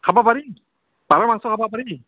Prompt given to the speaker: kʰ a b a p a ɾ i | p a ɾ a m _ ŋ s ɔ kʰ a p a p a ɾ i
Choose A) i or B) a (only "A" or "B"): B